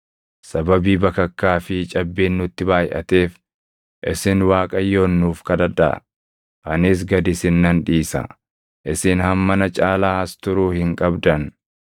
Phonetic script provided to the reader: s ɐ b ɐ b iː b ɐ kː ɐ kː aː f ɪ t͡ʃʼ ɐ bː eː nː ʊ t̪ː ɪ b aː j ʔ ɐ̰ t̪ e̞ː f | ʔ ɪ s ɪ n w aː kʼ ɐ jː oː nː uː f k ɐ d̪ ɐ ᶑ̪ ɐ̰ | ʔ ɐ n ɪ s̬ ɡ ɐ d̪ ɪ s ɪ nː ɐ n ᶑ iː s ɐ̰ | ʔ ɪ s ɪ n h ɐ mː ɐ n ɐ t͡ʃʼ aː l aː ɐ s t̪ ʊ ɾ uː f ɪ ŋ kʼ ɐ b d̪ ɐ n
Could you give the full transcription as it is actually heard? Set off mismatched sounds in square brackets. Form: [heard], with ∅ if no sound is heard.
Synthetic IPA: s ɐ b ɐ b iː b ɐ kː ɐ kː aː f ɪ t͡ʃʼ ɐ bː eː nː ʊ t̪ː ɪ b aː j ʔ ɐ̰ t̪ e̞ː f | ʔ ɪ s ɪ n w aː kʼ ɐ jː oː nː uː f k ɐ d̪ ɐ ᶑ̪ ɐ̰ | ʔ ɐ n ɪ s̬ ɡ ɐ d̪ ɪ s ɪ nː ɐ n ᶑ iː s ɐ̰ | ʔ ɪ s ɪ n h ɐ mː ɐ n ɐ t͡ʃʼ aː l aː ɐ s t̪ ʊ ɾ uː [h] ɪ ŋ kʼ ɐ b d̪ ɐ n

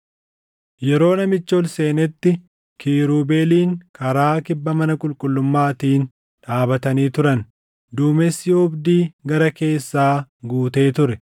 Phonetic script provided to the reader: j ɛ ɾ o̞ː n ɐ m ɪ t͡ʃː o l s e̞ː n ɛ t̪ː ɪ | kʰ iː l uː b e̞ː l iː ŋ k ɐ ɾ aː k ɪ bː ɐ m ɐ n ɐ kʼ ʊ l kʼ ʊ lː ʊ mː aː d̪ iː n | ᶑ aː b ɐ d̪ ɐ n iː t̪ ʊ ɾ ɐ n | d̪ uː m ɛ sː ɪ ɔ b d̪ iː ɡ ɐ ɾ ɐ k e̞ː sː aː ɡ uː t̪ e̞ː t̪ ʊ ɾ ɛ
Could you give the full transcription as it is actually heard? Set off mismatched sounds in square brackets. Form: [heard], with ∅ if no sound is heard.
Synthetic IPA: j ɛ ɾ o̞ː n ɐ m ɪ t͡ʃː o l s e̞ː n ɛ t̪ː ɪ | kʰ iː [ɾ] uː b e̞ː l iː ŋ k ɐ ɾ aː k ɪ bː ɐ m ɐ n ɐ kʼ ʊ l kʼ ʊ lː ʊ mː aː [t̪] iː n | ᶑ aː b ɐ [t̪] ɐ n iː t̪ ʊ ɾ ɐ n | d̪ uː m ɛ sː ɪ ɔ b d̪ iː ɡ ɐ ɾ ɐ k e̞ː sː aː ɡ uː t̪ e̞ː t̪ ʊ ɾ ɛ

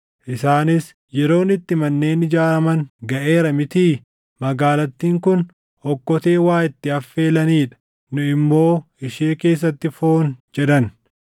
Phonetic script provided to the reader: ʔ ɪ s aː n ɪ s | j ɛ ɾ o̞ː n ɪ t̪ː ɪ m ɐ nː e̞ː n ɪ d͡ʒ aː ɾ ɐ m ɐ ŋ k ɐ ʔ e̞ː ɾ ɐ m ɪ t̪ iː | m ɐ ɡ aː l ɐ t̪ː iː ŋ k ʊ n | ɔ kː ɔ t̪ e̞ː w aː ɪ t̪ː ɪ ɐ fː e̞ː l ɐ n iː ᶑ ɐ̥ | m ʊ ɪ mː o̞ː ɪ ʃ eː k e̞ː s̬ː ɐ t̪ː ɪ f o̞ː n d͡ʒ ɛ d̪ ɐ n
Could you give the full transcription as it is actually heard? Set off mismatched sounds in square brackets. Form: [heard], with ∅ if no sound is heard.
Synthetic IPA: ʔ ɪ s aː n ɪ s | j ɛ ɾ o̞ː n ɪ t̪ː ɪ m ɐ nː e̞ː n ɪ d͡ʒ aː ɾ ɐ m ɐ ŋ [ɡ] ɐ ʔ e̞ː ɾ ɐ m ɪ t̪ iː | m ɐ ɡ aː l ɐ t̪ː iː ŋ k ʊ n | ɔ kː ɔ t̪ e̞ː w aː ɪ t̪ː ɪ ɐ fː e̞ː l ɐ n iː ᶑ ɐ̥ | [n] ʊ ɪ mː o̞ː ɪ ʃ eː k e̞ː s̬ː ɐ t̪ː ɪ f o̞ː n d͡ʒ ɛ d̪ ɐ n

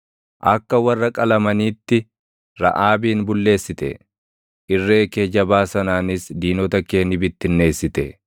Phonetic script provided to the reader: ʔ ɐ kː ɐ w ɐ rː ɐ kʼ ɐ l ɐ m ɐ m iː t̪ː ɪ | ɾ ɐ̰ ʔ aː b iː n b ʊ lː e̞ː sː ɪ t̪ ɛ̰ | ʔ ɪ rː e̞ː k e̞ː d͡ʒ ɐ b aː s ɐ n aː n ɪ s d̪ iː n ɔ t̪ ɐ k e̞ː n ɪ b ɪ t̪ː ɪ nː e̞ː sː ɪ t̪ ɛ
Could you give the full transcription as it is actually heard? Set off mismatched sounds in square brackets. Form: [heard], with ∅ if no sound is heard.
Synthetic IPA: ʔ ɐ kː ɐ w ɐ rː ɐ kʼ ɐ l ɐ m ɐ [n] iː t̪ː ɪ | ɾ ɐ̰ ʔ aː b iː n b ʊ lː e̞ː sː ɪ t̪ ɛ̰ | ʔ ɪ rː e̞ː k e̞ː d͡ʒ ɐ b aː s ɐ n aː n ɪ s d̪ iː n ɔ t̪ ɐ k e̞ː n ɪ b ɪ t̪ː ɪ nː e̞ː sː ɪ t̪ ɛ

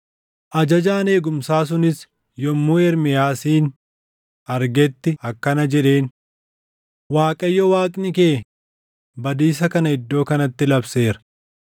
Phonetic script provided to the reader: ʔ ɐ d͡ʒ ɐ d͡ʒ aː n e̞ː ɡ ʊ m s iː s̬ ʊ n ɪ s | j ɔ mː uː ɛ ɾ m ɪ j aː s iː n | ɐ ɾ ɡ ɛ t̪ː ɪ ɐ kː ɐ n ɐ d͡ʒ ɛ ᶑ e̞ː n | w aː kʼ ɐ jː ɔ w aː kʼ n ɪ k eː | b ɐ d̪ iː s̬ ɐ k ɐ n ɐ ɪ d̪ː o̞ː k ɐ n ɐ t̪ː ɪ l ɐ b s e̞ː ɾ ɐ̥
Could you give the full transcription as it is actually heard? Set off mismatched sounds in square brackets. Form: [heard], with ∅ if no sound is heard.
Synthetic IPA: ʔ ɐ d͡ʒ ɐ d͡ʒ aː n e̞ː ɡ ʊ m s [aː] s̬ ʊ n ɪ s | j ɔ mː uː ɛ ɾ m ɪ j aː s iː n | ɐ ɾ ɡ ɛ t̪ː ɪ ɐ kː ɐ n ɐ d͡ʒ ɛ ᶑ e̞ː n | w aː kʼ ɐ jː ɔ w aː kʼ n ɪ k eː | b ɐ d̪ iː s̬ ɐ k ɐ n ɐ ɪ d̪ː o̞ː k ɐ n ɐ t̪ː ɪ l ɐ b s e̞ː ɾ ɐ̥

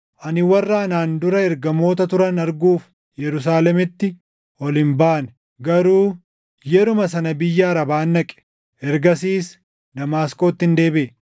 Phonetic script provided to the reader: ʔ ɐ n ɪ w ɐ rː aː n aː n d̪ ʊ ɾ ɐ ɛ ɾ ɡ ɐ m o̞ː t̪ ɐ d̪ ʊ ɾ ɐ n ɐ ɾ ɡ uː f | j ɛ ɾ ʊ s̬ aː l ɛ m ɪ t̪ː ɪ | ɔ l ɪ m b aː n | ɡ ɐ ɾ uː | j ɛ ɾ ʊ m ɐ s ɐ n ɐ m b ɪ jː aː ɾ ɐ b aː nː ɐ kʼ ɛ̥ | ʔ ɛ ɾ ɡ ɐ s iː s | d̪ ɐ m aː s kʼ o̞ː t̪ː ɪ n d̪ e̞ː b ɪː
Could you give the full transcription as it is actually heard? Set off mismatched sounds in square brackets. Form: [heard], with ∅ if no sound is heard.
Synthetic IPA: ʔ ɐ n ɪ w ɐ rː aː n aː n d̪ ʊ ɾ ɐ ɛ ɾ ɡ ɐ m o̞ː t̪ ɐ [t̪] ʊ ɾ ɐ n ɐ ɾ ɡ uː f | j ɛ ɾ ʊ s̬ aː l ɛ m ɪ t̪ː ɪ | ɔ l ɪ m b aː n | ɡ ɐ ɾ uː | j ɛ ɾ ʊ m ɐ s ɐ n ɐ [∅] b ɪ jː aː ɾ ɐ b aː nː ɐ kʼ ɛ̥ | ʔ ɛ ɾ ɡ ɐ s iː s | d̪ ɐ m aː s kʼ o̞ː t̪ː ɪ n d̪ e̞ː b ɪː

